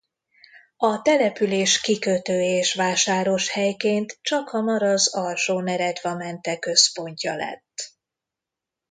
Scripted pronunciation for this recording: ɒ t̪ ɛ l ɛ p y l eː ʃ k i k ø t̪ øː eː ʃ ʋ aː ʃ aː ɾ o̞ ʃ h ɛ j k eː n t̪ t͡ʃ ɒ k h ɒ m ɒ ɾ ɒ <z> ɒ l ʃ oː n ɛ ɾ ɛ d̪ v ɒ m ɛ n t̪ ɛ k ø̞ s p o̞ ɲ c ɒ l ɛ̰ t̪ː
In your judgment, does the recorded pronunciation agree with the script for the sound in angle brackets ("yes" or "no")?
yes